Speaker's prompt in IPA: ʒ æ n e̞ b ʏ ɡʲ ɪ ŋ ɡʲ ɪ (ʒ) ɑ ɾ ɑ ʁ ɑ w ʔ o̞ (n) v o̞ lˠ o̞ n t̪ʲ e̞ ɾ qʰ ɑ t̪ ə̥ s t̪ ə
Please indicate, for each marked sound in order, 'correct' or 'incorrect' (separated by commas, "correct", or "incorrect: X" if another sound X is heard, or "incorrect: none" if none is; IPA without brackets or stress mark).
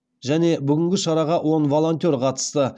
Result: incorrect: ʃ, correct